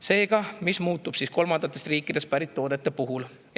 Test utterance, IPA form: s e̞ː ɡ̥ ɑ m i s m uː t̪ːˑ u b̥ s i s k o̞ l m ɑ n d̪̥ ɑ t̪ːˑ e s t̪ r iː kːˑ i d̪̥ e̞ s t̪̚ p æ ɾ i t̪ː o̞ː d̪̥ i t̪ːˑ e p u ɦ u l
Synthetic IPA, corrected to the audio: s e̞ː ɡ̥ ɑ m i s m uː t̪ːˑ u b̥ s i s k o̞ l m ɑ n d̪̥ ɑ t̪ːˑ e s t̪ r iː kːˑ i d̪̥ e̞ s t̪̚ p æ ɾ i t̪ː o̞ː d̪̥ e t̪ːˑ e p u ɦ u l